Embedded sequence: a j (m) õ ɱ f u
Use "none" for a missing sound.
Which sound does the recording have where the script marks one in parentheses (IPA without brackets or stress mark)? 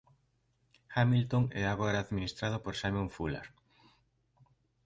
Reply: m